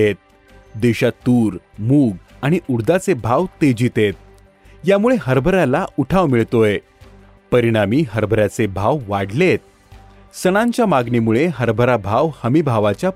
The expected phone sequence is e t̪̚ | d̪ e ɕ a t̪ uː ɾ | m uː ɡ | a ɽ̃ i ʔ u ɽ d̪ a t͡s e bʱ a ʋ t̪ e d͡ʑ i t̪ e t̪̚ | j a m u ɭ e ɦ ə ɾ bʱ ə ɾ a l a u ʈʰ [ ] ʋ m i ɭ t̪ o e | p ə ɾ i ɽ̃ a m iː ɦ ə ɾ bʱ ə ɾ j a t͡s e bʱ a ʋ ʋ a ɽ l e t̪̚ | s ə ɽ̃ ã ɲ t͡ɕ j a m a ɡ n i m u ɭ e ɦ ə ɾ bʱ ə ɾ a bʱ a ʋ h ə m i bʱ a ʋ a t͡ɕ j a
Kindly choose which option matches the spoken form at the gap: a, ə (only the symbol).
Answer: a